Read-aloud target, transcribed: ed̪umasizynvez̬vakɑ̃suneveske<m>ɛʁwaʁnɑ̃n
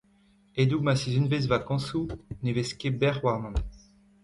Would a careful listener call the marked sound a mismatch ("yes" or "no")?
yes